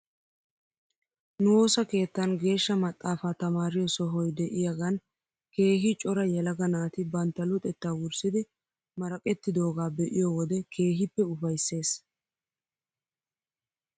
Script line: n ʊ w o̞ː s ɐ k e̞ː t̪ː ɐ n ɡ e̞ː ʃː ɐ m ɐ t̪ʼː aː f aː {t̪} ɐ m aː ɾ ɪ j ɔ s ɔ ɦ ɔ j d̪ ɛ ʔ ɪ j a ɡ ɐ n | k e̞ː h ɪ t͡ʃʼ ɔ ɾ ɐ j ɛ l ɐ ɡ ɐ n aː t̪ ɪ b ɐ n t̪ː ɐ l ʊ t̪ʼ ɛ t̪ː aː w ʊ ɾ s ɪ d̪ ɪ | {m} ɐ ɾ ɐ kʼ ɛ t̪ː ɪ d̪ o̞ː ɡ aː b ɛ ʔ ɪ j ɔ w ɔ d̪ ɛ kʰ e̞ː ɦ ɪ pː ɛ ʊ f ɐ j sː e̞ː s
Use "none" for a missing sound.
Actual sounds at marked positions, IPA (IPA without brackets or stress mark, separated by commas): t̪, m